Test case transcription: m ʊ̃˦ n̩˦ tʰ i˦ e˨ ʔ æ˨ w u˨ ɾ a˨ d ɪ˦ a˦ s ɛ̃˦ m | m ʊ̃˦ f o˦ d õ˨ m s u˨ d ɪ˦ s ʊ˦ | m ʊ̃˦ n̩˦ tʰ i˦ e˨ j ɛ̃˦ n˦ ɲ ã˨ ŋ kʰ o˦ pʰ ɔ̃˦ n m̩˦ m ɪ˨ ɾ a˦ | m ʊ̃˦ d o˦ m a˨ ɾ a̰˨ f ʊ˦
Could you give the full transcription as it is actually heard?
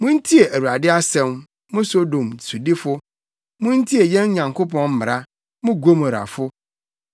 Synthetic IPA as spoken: m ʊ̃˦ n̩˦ tʰ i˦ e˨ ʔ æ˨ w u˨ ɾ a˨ d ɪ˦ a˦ s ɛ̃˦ m | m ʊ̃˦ s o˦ d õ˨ m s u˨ d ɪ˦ f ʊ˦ | m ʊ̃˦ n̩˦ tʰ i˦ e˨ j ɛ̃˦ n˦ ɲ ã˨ ŋ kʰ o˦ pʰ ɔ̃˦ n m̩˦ m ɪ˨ ɾ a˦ | m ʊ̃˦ ɡ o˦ m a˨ ɾ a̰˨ f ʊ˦